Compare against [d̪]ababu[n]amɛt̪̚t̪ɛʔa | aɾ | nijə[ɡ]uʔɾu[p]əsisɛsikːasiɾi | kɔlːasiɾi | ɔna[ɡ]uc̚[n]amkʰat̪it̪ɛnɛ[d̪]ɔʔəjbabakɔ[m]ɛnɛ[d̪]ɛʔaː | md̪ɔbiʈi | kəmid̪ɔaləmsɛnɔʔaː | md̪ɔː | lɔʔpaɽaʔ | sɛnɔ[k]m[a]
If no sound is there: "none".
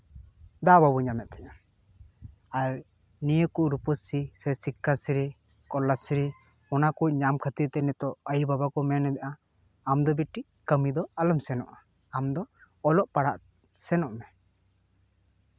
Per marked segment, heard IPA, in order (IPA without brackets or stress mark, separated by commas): d̪, ɲ, k, p, k, ɲ, t̪, m, d̪, ʔ, ɛ